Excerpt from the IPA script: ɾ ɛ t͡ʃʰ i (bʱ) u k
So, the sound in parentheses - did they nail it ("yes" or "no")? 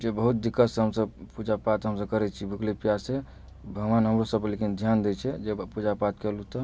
yes